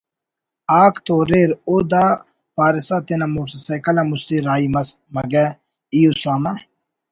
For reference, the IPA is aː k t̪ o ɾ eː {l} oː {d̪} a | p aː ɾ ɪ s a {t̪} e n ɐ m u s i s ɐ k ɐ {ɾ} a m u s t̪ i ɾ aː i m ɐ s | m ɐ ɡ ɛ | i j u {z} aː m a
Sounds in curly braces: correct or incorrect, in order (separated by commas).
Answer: incorrect, correct, correct, incorrect, incorrect